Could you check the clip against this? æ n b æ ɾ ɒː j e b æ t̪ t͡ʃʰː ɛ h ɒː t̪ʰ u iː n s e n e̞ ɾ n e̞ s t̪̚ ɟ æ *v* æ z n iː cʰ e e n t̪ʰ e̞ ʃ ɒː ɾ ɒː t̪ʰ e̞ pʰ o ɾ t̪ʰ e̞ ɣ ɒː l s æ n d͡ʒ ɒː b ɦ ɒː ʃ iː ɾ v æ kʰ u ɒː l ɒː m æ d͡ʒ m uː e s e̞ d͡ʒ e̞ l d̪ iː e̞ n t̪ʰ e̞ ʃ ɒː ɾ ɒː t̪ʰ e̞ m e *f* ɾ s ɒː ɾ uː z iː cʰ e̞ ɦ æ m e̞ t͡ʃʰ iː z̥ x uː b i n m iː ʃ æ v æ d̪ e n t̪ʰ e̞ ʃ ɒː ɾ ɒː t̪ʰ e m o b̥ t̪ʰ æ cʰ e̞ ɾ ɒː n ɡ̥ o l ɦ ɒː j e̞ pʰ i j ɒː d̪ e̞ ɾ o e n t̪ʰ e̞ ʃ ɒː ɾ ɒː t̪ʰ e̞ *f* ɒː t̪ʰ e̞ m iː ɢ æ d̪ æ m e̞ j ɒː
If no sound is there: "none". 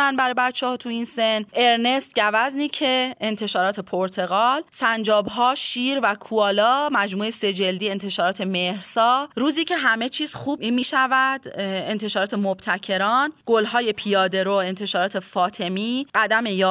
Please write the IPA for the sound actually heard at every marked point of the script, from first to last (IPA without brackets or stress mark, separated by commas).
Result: v, h, f